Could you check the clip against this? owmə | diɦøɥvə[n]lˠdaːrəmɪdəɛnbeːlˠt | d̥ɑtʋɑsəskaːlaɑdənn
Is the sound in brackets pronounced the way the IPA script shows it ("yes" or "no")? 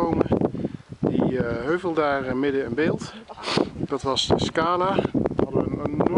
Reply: no